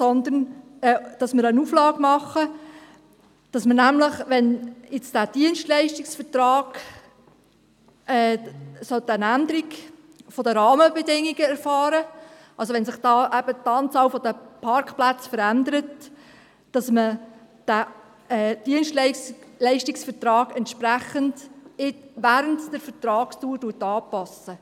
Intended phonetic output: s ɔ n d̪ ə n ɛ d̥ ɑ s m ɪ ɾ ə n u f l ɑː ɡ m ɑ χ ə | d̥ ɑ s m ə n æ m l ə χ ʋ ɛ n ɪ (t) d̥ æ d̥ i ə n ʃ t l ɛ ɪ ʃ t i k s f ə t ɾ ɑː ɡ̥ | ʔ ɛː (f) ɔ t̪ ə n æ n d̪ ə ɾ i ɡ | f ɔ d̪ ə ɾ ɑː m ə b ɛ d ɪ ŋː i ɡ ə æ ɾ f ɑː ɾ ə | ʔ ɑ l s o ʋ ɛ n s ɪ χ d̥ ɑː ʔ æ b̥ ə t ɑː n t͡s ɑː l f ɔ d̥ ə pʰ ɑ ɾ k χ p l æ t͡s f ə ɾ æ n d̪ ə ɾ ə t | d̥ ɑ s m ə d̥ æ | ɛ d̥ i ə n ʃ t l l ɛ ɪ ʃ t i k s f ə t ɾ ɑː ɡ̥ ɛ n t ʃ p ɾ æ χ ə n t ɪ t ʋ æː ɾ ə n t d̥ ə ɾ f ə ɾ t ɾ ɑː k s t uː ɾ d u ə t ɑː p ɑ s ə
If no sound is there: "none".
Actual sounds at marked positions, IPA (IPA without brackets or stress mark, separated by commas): t͡s, s